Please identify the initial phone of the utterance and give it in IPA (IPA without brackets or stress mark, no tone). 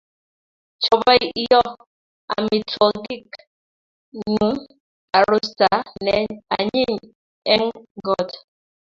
t͡ʃ